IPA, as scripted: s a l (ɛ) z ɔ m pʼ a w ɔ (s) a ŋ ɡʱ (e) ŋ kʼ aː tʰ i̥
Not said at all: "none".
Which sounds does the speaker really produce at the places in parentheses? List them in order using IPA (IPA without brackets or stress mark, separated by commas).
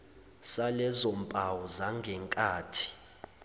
ɛ, z, ɛ